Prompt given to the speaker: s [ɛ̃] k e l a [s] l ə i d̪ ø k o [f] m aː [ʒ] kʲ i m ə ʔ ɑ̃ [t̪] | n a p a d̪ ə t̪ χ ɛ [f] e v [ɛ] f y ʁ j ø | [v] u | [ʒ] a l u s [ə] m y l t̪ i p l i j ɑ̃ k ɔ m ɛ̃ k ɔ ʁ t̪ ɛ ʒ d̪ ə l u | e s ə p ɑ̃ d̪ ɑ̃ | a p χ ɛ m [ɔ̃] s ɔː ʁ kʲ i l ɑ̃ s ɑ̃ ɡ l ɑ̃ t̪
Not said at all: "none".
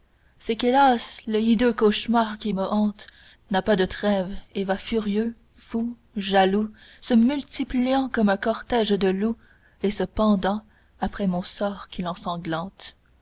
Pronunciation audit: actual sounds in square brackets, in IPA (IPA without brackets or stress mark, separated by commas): ɛ, s, ʃ, ʁ, t̪, v, a, f, ʒ, ə, ɔ̃